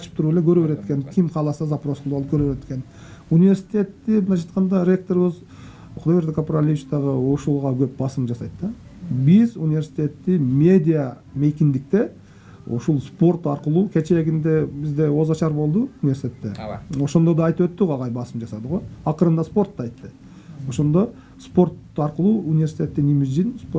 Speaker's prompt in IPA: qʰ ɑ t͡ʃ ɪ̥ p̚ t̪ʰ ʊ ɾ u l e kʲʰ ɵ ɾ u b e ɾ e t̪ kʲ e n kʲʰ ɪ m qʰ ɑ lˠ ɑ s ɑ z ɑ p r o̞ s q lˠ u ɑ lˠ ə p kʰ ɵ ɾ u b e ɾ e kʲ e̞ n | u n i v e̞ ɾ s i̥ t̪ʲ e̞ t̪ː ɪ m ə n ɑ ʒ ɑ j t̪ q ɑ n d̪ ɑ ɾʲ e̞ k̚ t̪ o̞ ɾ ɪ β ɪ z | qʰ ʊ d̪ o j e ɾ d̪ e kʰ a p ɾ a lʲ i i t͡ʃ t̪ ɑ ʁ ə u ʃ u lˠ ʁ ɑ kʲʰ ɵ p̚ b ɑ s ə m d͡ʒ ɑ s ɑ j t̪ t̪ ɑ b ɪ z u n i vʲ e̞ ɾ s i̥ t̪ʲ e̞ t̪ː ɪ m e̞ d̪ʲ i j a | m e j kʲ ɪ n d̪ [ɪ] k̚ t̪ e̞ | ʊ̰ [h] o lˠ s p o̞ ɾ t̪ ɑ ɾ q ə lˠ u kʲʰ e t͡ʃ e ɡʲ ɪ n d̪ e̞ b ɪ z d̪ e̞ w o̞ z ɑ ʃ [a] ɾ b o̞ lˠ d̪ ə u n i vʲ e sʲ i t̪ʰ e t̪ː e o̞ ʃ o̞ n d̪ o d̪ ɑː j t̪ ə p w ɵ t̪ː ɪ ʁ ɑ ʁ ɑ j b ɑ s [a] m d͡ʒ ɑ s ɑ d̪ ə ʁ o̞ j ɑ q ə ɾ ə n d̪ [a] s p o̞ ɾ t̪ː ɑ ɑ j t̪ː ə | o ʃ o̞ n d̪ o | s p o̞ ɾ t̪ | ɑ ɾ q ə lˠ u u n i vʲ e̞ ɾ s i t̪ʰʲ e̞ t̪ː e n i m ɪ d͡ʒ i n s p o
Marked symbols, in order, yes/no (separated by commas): yes, no, no, no, no